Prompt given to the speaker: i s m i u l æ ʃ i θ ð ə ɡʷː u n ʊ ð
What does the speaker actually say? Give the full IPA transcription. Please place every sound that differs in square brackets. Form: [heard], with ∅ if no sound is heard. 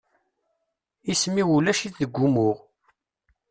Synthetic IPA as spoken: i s m i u l æ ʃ i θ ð ə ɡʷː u [m] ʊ [ʁ]